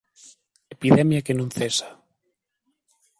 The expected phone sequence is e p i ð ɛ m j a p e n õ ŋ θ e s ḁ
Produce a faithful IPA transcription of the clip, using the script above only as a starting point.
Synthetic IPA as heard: e p i ð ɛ m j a k e n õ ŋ θ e s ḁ